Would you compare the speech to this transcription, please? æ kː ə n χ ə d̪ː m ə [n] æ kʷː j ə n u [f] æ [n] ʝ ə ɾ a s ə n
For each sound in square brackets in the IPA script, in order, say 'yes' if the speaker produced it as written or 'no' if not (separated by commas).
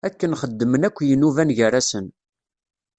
yes, no, yes